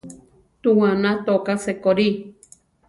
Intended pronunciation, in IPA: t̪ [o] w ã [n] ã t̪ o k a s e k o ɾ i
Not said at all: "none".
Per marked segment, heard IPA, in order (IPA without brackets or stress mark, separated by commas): u, n